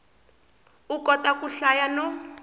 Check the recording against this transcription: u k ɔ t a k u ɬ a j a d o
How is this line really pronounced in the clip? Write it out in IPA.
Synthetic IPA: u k ɔ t a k u ɬ a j a n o